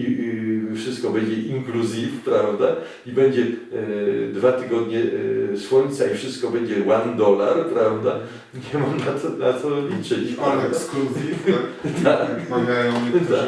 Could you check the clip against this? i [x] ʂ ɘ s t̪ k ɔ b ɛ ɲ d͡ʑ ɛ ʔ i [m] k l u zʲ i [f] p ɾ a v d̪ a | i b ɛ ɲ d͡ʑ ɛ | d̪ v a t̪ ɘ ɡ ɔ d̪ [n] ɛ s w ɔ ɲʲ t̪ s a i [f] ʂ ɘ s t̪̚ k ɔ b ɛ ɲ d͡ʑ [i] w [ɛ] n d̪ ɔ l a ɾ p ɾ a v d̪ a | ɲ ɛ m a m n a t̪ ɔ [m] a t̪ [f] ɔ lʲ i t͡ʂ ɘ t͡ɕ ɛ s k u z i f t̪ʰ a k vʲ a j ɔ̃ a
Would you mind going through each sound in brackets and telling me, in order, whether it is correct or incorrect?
incorrect: f, incorrect: ŋ, correct, incorrect: ɲ, correct, incorrect: ɛ, incorrect: a, incorrect: n, incorrect: s

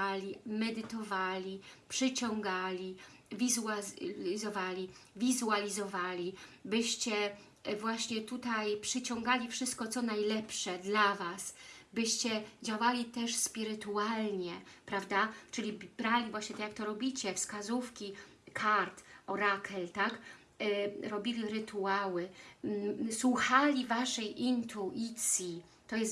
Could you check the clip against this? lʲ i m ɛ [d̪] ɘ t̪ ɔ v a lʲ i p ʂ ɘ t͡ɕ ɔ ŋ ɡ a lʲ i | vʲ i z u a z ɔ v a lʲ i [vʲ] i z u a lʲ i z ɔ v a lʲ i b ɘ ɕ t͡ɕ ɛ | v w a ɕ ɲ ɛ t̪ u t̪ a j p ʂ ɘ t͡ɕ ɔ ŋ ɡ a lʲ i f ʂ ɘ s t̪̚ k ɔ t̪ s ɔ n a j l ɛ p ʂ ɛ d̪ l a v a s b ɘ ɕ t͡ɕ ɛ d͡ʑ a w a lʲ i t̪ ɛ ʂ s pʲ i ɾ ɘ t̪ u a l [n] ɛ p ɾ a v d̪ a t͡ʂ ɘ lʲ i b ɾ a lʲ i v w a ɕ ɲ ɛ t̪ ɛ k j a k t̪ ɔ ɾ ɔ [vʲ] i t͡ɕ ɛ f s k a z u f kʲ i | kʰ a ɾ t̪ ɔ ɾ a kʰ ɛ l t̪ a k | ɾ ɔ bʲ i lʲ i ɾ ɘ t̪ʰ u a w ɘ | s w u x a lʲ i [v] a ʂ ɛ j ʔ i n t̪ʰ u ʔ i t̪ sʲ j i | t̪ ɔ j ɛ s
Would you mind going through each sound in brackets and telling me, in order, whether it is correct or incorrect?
correct, correct, incorrect: ɲ, incorrect: bʲ, correct

